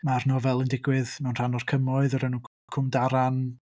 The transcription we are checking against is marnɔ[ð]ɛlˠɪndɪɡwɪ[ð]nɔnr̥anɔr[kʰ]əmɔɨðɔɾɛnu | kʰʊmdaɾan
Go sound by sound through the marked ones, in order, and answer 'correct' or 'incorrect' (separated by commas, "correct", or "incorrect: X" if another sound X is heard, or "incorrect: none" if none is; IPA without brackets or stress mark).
incorrect: v, correct, correct